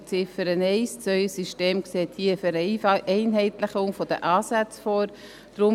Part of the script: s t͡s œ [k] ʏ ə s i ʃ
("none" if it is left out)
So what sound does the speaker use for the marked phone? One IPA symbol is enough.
none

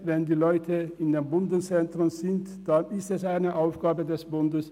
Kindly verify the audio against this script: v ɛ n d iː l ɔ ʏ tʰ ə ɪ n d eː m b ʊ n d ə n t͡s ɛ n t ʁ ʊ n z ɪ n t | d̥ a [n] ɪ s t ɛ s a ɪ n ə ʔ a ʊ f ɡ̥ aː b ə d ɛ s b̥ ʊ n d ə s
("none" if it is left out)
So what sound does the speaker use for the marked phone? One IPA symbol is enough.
n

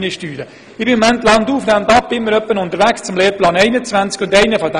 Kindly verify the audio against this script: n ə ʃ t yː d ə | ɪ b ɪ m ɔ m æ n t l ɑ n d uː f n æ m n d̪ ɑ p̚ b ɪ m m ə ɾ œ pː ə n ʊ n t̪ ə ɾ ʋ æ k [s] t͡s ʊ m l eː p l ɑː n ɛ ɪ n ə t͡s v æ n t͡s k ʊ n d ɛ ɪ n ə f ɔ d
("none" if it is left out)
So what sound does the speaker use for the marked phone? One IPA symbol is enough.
s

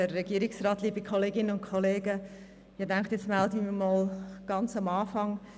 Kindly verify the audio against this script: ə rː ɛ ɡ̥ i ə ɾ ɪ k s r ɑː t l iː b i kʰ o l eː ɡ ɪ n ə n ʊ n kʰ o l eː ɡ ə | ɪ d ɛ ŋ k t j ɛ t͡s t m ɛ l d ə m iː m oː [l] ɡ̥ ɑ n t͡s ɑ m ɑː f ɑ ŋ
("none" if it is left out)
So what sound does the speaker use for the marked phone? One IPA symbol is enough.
l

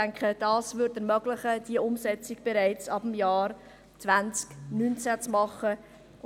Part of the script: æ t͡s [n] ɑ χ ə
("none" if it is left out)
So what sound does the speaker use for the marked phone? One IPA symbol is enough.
m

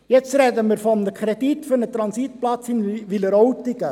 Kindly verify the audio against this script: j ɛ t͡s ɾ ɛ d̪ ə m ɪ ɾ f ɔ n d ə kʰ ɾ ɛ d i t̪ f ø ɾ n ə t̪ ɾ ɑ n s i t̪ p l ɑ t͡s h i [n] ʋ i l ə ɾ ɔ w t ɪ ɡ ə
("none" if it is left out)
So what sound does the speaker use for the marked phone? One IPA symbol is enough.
n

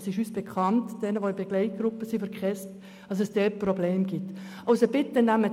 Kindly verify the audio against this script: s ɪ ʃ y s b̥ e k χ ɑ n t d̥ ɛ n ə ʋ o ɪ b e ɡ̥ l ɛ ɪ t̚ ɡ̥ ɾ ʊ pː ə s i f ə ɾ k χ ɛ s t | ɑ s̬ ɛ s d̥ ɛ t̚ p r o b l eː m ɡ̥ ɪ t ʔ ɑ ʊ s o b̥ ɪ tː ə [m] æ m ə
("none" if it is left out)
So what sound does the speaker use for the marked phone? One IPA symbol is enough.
n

